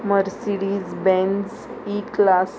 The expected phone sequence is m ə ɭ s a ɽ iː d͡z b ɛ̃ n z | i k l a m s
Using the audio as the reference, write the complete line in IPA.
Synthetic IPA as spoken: m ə ɾ s i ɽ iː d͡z b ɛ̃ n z | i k l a s